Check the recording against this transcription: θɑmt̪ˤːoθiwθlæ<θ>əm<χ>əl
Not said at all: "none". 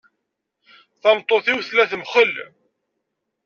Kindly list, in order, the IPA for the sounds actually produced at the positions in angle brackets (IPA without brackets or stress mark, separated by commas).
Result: θ, χ